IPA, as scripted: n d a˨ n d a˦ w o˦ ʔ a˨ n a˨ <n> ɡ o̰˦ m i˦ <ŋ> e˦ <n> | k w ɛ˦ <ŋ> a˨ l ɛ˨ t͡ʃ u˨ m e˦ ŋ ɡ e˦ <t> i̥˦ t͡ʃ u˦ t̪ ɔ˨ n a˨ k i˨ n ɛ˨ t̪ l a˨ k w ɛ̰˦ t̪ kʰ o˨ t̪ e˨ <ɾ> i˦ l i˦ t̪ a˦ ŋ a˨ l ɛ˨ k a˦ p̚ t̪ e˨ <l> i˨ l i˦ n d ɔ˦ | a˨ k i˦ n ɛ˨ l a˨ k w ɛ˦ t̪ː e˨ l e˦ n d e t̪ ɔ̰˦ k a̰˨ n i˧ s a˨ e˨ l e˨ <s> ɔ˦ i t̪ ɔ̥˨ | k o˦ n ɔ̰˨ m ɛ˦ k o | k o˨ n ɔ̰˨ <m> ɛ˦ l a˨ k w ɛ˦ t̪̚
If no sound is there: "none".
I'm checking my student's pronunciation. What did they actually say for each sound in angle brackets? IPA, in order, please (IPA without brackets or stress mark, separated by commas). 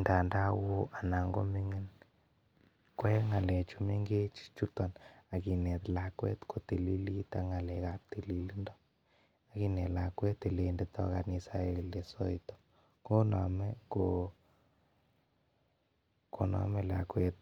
ŋ, ŋ, n, ŋ, t͡ʃ, l, l, s, m